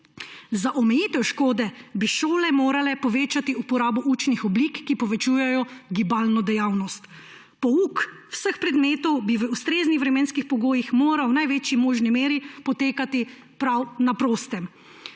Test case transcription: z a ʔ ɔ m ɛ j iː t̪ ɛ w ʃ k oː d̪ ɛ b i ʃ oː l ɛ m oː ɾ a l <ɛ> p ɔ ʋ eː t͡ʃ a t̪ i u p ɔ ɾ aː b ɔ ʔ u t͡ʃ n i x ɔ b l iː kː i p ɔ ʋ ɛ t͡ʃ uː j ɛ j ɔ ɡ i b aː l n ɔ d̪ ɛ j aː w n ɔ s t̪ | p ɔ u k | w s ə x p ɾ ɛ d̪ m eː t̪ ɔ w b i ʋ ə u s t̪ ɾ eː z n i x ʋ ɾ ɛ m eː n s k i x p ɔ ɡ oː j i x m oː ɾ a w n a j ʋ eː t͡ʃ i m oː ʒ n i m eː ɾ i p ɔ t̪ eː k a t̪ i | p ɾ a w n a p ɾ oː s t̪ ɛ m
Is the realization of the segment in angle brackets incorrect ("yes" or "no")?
no